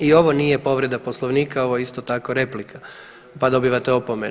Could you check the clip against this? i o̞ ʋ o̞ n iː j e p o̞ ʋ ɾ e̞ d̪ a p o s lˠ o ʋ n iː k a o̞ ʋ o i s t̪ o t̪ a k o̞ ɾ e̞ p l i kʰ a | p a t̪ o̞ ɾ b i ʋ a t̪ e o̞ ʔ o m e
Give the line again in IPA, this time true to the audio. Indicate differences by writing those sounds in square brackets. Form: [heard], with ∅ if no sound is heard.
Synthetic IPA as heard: i o̞ ʋ o̞ n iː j e p o̞ ʋ ɾ e̞ d̪ a p o s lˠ o ʋ n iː k a o̞ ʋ o i s t̪ o t̪ a k o̞ ɾ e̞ p l i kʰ a | p a [d̪] o̞ [∅] b i ʋ a t̪ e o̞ [p] o m e